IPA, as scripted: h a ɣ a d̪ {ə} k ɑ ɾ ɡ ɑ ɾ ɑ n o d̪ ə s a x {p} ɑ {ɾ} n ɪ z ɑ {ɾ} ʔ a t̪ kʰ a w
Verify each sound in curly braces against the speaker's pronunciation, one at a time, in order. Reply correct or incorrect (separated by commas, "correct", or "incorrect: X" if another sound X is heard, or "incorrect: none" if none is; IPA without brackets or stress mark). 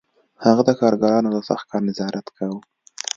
correct, incorrect: k, correct, correct